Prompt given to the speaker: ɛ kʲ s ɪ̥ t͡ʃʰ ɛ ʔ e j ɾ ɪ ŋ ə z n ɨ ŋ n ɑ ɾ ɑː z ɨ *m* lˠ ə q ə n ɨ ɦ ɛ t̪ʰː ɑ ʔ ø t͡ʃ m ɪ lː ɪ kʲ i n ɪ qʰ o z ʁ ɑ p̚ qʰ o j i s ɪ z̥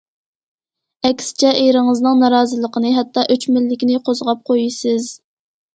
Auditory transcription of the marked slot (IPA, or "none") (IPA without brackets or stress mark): none